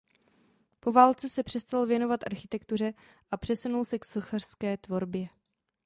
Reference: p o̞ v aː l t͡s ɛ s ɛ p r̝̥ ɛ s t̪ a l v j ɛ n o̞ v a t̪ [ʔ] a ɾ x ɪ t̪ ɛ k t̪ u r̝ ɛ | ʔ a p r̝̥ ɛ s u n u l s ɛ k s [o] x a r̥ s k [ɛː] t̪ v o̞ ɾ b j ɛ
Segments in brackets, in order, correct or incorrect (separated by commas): correct, correct, correct